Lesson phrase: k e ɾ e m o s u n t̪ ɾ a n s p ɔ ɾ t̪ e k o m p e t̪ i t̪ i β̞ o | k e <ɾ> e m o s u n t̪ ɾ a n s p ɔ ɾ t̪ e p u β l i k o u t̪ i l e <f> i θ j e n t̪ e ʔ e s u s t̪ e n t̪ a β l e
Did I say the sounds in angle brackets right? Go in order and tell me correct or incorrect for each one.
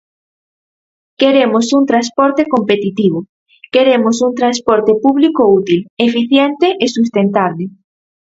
correct, correct

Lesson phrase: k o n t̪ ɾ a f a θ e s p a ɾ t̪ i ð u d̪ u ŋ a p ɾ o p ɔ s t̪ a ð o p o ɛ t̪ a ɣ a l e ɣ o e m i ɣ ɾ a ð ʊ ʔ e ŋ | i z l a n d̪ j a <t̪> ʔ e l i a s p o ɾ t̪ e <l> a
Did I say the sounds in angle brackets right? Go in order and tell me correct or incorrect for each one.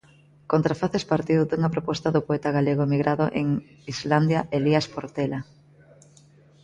incorrect, correct

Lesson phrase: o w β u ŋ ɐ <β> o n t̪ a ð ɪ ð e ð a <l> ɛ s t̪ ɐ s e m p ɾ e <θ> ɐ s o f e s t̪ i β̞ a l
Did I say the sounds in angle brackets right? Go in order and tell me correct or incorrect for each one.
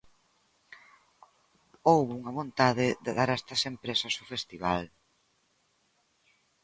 correct, incorrect, incorrect

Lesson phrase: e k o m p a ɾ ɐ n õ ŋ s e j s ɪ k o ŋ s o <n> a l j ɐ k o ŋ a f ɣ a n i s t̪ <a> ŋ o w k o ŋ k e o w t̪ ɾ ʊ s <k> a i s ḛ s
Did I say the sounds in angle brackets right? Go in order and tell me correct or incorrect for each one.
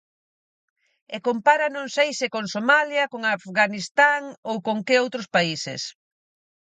incorrect, correct, incorrect

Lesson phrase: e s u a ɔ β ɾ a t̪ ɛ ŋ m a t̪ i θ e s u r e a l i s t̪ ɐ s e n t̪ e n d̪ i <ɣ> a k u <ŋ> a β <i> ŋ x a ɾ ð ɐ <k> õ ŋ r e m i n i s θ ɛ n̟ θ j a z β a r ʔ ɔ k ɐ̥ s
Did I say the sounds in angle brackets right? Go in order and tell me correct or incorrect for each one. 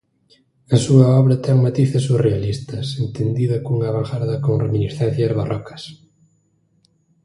incorrect, correct, incorrect, correct

